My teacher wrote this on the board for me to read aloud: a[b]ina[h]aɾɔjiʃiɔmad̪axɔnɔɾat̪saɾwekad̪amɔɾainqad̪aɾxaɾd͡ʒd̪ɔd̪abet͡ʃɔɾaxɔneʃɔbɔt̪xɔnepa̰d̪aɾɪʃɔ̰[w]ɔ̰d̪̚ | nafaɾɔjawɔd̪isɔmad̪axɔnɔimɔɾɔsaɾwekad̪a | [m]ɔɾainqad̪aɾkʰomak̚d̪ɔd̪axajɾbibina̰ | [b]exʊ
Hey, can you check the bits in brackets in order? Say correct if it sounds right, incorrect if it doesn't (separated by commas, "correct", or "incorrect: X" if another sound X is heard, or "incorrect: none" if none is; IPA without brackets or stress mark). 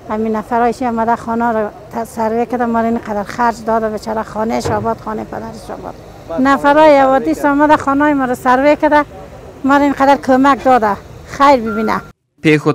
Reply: incorrect: m, incorrect: f, incorrect: b, correct, incorrect: p